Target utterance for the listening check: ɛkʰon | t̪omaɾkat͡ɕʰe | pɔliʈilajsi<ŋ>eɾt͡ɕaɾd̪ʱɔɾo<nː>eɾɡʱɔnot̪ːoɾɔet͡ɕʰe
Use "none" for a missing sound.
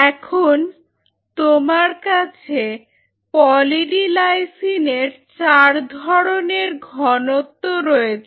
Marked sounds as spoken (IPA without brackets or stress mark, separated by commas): n, n